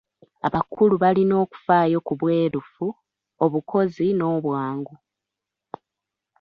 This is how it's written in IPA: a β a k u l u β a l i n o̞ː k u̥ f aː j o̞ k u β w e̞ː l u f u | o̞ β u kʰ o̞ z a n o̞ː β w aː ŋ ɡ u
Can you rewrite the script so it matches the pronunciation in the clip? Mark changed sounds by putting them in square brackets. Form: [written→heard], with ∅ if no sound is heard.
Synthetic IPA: a β a k u l u β a l i n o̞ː k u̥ f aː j o̞ k u β w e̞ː [l→ɾ] u f u | o̞ β u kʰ o̞ z [a→i] n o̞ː β w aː ŋ ɡ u

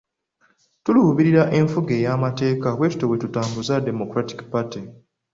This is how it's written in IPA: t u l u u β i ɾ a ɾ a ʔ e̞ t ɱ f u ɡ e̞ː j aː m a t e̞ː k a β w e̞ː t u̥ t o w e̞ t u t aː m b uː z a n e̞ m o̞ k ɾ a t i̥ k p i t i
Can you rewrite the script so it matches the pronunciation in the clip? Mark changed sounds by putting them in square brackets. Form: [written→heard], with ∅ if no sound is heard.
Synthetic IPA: t u l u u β i ɾ [a→i] ɾ a ʔ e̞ [t→∅] ɱ f u ɡ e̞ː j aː m a t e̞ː k a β w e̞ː t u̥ t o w e̞ t u t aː m b [uː→u] z a [n→d] e̞ m o̞ k ɾ a t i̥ k p [i→a] t i

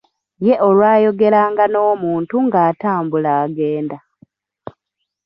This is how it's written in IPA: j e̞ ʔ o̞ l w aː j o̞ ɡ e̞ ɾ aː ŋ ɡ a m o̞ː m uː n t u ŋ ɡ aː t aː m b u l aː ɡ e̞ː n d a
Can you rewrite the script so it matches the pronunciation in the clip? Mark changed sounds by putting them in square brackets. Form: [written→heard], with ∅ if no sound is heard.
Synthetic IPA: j e̞ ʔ o̞ l w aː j o̞ ɡ e̞ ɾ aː ŋ ɡ a [m→n] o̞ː m uː n t u ŋ ɡ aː t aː m b u l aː ɡ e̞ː n d a

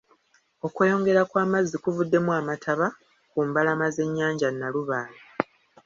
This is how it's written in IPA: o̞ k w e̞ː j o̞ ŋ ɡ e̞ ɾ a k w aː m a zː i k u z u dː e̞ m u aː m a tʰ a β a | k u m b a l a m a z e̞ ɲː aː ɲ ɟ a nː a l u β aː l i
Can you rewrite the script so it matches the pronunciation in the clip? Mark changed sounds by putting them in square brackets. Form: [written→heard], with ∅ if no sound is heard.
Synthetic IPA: o̞ k w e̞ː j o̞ ŋ ɡ e̞ ɾ a k w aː m a zː i k u [z→v] u dː e̞ m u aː m a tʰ a β a | k u m b a l a m a z e̞ ɲː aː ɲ ɟ a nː a l u β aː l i

